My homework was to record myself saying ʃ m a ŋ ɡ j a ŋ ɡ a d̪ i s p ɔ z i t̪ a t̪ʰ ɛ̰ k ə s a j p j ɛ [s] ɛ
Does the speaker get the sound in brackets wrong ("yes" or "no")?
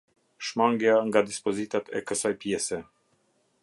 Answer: no